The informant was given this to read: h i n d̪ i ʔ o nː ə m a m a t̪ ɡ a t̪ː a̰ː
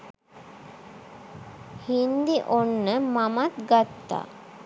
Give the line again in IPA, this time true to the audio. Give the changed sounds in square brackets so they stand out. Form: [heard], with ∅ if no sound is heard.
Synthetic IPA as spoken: h i n d̪ i ʔ o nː ə m a m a t̪ ɡ a t̪ː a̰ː